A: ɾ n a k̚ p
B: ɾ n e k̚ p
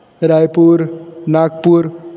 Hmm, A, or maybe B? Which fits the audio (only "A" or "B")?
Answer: A